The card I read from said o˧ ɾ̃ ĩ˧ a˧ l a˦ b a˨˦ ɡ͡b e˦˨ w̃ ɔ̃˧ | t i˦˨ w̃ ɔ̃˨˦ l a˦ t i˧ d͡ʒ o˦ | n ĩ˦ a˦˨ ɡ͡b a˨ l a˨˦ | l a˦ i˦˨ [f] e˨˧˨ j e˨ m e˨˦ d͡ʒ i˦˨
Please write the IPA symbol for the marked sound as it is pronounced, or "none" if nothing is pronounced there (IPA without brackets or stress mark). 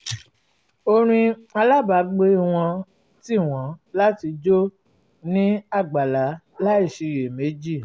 ʃ